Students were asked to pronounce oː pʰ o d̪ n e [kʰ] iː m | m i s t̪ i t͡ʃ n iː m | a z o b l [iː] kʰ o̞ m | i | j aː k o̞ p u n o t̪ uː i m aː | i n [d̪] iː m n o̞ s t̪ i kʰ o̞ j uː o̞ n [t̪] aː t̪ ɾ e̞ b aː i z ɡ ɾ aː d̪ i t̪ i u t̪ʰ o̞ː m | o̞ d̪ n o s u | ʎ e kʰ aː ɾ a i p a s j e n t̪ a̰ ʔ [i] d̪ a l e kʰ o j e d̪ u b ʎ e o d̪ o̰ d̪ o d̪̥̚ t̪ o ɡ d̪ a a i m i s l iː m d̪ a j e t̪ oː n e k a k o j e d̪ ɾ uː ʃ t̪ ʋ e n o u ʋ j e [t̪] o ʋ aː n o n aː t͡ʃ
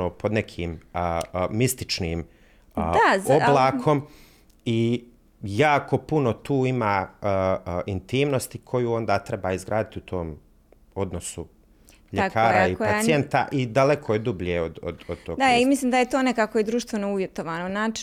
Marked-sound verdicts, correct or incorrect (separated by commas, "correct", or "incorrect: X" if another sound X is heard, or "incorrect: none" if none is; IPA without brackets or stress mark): correct, incorrect: aː, incorrect: t̪, incorrect: d̪, correct, correct